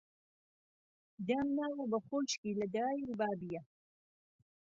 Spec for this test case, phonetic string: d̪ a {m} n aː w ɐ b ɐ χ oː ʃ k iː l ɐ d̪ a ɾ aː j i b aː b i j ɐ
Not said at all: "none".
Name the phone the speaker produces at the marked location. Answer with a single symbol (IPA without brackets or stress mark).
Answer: m